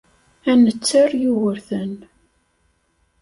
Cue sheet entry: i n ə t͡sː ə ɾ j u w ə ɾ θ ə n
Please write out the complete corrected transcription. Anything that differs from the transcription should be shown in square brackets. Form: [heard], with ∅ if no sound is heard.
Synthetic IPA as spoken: [æ] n ə t͡sː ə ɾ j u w ə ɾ θ ə n